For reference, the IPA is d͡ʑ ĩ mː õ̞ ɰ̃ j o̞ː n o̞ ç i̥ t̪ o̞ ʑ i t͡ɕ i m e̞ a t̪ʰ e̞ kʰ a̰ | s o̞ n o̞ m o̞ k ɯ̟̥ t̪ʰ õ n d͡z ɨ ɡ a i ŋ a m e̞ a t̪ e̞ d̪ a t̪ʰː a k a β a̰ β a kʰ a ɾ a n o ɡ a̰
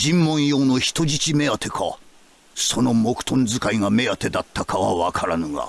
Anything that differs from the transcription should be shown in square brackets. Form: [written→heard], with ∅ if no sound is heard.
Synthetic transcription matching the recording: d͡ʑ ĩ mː õ̞ ɰ̃ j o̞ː n o̞ ç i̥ t̪ o̞ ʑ i t͡ɕ i m e̞ a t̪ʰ e̞ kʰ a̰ | s o̞ n o̞ m o̞ k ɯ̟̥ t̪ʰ õ n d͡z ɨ [ɡ→k] a i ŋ a m e̞ a t̪ e̞ d̪ a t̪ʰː a k a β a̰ β a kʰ a ɾ a n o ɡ a̰